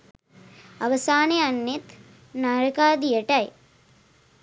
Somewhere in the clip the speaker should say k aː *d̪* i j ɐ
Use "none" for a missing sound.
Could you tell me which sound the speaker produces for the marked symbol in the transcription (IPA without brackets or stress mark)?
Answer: d̪